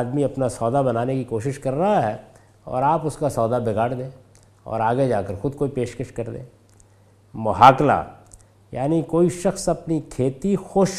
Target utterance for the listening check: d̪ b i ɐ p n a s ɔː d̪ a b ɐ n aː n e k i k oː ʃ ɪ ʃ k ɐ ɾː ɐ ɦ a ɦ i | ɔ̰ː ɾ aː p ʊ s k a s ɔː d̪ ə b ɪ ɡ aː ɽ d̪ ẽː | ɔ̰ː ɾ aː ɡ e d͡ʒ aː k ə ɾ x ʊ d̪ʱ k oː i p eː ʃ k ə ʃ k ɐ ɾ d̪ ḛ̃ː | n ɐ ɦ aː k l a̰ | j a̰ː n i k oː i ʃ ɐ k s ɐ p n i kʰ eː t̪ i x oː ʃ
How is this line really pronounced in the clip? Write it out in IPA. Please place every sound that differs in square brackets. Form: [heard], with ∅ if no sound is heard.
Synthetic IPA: d̪ [m] i ɐ p n a s ɔː d̪ a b ɐ n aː n e k i k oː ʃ ɪ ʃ k ɐ ɾː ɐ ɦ a ɦ [ɛ] | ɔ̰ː ɾ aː p ʊ s k a s ɔː d̪ [a] b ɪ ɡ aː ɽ d̪ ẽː | ɔ̰ː ɾ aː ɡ e d͡ʒ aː k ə ɾ x ʊ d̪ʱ k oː i p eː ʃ k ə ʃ k ɐ ɾ d̪ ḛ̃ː | [m] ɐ ɦ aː k l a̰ | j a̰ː n i k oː i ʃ ɐ [x] s ɐ p n i kʰ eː t̪ i x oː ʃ